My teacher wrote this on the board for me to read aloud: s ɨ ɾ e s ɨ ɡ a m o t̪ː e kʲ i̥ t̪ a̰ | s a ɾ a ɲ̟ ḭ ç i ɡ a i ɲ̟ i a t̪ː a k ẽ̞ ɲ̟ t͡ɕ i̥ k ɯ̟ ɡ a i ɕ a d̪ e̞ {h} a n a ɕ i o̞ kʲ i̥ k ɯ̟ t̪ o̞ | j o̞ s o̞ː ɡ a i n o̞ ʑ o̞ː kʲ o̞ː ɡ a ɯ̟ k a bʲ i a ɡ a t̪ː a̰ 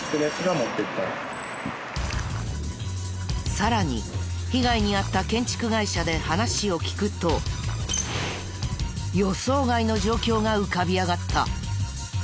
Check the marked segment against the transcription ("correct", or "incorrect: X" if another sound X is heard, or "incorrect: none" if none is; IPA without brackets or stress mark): correct